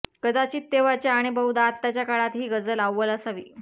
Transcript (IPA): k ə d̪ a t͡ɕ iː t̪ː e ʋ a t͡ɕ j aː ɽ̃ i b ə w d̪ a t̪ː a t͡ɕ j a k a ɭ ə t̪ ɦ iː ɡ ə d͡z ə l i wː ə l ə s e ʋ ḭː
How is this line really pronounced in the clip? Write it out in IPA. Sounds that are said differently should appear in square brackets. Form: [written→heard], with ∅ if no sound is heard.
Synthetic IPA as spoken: k ə d̪ a t͡ɕ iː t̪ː e ʋ a t͡ɕ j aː ɽ̃ i b ə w d̪ a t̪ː a t͡ɕ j a k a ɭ [ə→a] t̪ ɦ iː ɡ ə d͡z ə l [i→a] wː ə l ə s [e→a] ʋ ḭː